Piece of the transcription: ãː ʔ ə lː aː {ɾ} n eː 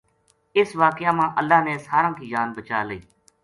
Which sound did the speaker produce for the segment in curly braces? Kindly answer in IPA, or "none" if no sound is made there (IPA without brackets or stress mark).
none